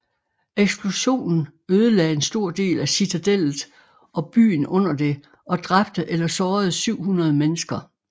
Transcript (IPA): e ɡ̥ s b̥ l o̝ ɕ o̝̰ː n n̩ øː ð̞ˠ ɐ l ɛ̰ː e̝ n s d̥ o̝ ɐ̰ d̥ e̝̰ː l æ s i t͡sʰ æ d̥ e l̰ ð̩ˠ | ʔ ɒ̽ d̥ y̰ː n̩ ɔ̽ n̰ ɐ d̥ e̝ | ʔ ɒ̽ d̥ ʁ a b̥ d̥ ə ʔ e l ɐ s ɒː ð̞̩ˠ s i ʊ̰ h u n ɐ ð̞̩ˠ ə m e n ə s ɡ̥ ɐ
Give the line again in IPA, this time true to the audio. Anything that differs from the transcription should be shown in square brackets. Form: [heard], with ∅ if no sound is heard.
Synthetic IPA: e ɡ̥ s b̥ l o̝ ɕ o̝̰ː n n̩ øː ð̞ˠ [ə] l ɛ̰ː e̝ n s d̥ o̝ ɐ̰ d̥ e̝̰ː l æ s i t͡sʰ æ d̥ e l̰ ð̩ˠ | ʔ ɒ̽ [b̥] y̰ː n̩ ɔ̽ n̰ ɐ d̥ e̝ | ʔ ɒ̽ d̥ ʁ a b̥ d̥ ə ʔ e l ɐ s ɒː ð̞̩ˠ s [y] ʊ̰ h u n ɐ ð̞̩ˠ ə m e n ə s ɡ̥ ɐ